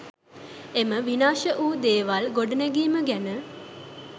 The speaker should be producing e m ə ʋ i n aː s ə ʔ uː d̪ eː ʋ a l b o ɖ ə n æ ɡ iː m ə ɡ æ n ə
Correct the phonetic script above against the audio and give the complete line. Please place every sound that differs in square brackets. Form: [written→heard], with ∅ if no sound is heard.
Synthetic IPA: e m ə ʋ i n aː [s→ʃ] ə ʔ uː d̪ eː ʋ a l [b→ɡ] o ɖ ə n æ ɡ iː m ə ɡ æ n ə